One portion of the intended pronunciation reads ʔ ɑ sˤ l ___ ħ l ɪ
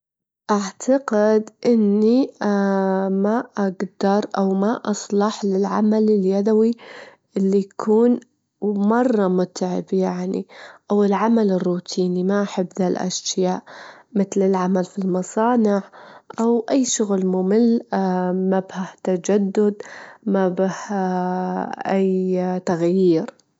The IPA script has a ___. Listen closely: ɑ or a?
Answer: ɑ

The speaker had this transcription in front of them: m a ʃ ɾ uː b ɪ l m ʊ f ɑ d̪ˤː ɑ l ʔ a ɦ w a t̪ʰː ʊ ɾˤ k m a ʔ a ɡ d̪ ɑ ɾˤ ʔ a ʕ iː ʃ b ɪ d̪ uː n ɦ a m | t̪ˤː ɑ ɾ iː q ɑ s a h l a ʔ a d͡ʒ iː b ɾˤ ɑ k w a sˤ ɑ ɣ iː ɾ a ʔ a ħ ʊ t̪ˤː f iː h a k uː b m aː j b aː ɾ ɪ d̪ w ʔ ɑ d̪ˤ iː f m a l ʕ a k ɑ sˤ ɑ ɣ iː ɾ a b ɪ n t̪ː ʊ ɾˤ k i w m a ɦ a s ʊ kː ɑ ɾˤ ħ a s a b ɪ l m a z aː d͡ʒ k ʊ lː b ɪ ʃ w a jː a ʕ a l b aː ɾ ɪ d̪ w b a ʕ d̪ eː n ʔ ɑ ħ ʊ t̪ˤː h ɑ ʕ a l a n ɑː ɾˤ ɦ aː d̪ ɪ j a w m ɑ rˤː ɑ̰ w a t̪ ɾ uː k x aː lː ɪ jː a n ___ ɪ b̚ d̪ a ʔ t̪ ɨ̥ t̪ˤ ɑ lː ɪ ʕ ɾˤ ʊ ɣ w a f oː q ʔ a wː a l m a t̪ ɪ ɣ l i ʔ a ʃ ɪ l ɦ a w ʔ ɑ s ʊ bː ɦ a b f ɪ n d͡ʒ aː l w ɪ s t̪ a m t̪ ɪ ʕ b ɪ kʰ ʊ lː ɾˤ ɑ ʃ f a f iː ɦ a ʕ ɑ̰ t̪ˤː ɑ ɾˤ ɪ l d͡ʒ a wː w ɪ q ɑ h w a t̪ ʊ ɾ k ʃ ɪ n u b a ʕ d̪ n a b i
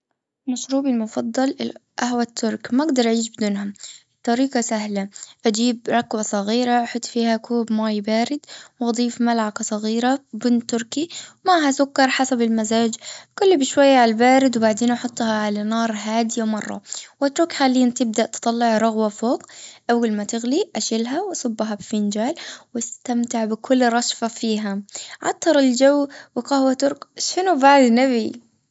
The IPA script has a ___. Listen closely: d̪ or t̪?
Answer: t̪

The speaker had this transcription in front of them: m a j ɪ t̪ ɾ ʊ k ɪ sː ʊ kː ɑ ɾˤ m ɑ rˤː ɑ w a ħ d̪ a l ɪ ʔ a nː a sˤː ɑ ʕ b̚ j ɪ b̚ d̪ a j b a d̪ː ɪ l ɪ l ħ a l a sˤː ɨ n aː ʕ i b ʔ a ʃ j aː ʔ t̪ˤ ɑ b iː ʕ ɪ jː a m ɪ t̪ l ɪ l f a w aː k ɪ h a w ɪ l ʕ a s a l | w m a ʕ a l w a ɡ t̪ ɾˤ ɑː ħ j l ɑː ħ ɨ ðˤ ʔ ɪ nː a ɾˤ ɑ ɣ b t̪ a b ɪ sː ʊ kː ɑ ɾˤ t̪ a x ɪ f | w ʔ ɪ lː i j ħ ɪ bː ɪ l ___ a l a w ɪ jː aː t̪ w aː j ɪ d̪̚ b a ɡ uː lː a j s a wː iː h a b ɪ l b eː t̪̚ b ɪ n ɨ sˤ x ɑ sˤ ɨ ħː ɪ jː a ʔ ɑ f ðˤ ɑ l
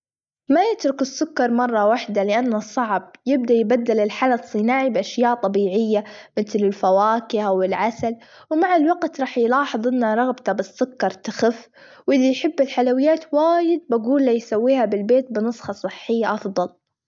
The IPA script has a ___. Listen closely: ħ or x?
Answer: ħ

